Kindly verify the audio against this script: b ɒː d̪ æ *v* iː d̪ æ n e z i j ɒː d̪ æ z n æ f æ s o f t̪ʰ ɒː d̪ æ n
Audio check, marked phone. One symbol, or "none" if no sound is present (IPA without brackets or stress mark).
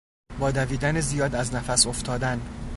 v